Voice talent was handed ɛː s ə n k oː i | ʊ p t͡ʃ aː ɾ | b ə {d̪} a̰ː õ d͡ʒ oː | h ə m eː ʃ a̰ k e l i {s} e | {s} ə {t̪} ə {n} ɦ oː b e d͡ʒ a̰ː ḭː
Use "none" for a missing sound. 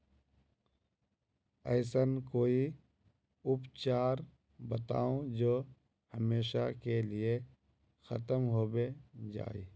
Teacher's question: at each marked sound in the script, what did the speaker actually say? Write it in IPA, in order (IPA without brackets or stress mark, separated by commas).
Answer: t̪, none, x, t̪, m